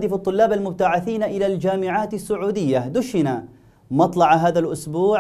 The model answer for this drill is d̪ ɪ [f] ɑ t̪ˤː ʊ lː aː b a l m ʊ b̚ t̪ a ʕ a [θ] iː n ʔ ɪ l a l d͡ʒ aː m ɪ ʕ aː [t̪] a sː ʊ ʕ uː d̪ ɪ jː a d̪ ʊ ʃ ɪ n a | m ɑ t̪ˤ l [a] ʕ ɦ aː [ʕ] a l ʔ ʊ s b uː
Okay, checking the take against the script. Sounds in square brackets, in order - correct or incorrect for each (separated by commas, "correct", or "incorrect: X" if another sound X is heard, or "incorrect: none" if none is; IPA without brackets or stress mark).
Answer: correct, correct, correct, incorrect: ɑ, incorrect: ð